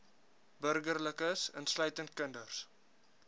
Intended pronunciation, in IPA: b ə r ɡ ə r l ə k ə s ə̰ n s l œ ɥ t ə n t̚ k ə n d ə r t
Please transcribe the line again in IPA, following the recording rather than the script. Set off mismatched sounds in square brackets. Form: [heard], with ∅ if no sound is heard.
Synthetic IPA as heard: b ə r ɡ ə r l ə k ə s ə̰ n s l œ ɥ t ə n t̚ k ə n d ə r [s]